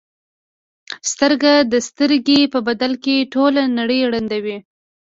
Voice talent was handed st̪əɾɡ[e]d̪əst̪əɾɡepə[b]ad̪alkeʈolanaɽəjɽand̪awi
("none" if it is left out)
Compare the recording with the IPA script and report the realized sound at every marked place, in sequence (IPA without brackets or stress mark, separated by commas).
a, b